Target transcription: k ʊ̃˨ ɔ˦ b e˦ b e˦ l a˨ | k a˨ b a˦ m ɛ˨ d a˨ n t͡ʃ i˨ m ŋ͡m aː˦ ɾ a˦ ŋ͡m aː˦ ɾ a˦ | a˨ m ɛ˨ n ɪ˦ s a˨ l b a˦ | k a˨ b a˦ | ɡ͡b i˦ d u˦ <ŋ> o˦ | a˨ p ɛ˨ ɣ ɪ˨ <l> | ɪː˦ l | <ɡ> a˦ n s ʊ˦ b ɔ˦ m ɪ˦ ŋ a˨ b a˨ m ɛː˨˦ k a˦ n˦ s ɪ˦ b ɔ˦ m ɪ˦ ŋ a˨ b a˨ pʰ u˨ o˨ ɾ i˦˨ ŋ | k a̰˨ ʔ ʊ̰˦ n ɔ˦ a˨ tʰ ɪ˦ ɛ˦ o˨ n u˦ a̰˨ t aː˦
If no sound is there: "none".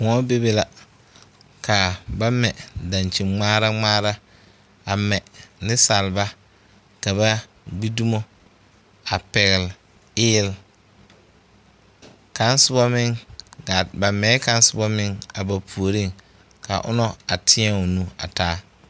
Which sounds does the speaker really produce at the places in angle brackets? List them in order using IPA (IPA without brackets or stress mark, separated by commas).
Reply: m, l, k